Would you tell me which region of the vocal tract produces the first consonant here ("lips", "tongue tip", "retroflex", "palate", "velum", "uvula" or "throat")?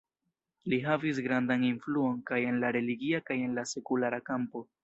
tongue tip